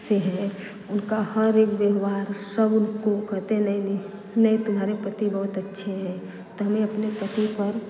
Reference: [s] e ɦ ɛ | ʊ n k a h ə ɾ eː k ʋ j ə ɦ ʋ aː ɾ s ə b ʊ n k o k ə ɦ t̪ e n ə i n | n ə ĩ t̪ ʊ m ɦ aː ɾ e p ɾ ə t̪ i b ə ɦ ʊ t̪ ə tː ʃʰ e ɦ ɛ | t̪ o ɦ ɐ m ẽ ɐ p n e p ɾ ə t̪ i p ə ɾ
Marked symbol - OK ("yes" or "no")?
yes